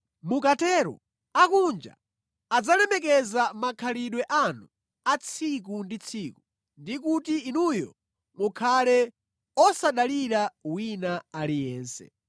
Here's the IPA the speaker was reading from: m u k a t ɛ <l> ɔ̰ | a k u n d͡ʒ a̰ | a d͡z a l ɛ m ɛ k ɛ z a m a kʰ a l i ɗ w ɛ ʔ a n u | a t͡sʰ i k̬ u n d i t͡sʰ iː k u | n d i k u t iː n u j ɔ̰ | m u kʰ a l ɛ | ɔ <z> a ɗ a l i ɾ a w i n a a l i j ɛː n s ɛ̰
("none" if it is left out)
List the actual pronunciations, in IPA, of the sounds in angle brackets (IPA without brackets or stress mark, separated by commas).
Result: ɾ, s